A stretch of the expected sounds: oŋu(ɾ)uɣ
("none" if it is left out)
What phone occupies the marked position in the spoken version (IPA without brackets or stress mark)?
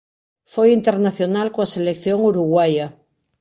ɾ